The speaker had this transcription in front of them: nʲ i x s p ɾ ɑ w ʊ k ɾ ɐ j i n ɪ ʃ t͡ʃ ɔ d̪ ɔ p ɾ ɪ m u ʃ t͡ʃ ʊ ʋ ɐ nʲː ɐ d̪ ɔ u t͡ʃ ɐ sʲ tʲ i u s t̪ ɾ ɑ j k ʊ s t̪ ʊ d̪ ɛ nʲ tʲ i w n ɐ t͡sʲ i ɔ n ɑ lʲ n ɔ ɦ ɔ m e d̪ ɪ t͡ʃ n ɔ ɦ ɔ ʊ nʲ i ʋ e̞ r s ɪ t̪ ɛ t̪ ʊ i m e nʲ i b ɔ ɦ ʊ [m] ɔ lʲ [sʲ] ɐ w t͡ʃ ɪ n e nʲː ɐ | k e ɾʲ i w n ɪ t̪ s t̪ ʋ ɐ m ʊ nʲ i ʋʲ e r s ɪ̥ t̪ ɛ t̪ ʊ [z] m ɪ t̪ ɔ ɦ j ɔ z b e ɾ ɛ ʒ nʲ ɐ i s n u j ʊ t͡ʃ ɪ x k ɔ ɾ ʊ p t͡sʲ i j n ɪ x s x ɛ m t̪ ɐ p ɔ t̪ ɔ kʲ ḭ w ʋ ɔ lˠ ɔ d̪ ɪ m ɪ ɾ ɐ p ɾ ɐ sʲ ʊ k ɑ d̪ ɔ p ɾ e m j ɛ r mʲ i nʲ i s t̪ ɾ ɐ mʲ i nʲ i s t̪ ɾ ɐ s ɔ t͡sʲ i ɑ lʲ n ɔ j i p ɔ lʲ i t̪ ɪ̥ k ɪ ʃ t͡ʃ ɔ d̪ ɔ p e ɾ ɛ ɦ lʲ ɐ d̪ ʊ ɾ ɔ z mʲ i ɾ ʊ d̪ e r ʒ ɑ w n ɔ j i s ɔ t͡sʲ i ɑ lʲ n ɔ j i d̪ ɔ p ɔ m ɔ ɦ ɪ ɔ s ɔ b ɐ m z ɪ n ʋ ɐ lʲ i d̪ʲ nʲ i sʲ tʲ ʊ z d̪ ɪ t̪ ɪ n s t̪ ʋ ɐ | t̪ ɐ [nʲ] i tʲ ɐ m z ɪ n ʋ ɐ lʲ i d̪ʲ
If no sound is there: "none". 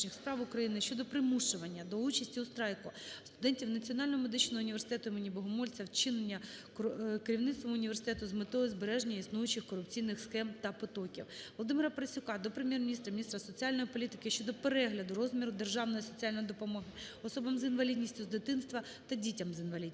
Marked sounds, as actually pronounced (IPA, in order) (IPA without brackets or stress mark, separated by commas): m, t͡sʲ, z, dʲ